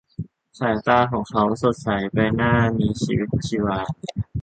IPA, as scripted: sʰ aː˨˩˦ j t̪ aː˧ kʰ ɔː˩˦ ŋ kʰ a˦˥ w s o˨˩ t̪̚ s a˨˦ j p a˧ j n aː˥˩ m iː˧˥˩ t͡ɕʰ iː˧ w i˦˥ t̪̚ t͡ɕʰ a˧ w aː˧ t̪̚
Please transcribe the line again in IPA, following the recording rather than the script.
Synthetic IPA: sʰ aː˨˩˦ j t̪ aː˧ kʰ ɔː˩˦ ŋ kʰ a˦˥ w s o˨˩ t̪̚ s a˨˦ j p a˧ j n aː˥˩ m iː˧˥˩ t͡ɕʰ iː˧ w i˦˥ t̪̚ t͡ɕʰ i˧ w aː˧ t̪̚